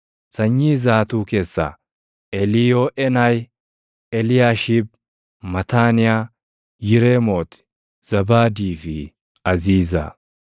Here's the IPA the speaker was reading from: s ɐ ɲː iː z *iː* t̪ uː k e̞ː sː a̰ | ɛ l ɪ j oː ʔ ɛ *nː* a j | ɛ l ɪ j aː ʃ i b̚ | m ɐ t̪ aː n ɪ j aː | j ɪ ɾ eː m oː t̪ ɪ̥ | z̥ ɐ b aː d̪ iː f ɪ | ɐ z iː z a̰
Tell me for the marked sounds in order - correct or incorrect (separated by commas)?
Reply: incorrect, incorrect